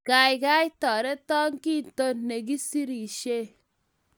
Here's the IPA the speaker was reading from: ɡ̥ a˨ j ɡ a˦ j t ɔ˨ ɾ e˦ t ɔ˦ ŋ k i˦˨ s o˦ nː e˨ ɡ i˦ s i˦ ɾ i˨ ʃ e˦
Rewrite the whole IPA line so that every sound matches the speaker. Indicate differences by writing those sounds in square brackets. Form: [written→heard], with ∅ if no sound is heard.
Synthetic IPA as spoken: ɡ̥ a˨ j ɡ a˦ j t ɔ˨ ɾ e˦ t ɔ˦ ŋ k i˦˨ [s→t] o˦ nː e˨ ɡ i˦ s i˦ ɾ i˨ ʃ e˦

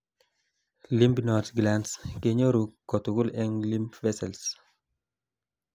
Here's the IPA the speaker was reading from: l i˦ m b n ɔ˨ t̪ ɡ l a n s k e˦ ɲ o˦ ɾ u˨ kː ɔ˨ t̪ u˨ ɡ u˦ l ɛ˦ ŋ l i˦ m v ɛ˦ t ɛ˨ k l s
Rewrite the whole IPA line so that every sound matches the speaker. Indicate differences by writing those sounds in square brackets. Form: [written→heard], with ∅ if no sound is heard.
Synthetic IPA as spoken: l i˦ m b n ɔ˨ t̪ ɡ l a n s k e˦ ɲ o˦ ɾ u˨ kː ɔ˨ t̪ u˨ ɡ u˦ l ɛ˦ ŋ l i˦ m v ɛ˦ [t→s] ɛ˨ [k→∅] l s

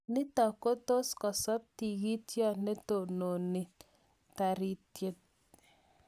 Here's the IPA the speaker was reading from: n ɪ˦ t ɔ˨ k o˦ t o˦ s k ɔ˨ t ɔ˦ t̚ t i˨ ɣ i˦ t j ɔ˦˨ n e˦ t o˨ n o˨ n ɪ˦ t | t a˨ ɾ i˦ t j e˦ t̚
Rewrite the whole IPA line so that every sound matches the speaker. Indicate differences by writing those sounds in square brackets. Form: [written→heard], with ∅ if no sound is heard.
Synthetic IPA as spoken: n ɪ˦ t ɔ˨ k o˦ t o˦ s k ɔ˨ [t→s] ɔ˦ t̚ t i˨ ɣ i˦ t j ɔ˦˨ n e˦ t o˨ n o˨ n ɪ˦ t | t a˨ ɾ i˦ t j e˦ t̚

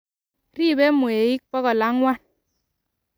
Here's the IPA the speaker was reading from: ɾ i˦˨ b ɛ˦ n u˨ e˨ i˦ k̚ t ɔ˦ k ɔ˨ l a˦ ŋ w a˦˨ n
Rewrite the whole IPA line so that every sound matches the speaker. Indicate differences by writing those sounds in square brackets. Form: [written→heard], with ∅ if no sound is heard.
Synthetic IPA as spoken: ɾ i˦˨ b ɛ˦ [n→m] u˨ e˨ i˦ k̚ [t→p] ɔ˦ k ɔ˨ l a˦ ŋ w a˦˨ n

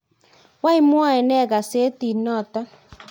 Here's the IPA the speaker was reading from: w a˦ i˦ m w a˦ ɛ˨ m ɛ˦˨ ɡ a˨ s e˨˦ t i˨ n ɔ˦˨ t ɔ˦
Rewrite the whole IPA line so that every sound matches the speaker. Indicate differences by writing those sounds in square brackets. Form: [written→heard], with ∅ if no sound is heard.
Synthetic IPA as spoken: w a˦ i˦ m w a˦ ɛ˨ [m→n] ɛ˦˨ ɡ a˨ s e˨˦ t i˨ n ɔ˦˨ t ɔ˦

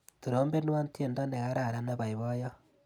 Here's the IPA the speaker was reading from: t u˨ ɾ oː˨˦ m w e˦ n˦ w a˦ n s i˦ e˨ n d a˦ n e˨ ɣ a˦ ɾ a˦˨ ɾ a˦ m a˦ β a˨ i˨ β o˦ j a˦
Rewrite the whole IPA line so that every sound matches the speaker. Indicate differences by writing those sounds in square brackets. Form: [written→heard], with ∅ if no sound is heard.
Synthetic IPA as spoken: t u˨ ɾ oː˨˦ m [w→b] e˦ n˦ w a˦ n [s→t] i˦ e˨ n d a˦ n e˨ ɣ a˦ ɾ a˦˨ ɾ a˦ [m→n] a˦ β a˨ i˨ β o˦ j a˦

